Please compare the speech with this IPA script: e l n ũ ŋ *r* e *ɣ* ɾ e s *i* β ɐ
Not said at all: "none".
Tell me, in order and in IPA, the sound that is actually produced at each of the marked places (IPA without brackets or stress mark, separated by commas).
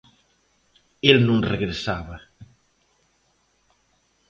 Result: r, ɣ, a